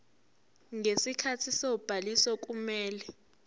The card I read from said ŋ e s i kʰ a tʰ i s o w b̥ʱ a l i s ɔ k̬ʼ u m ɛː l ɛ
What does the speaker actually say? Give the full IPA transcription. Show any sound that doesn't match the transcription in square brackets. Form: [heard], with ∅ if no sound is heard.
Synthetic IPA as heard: ŋ e s i kʰ a tʰ i s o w b̥ʱ a l i s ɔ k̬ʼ u m ɛː l ɛ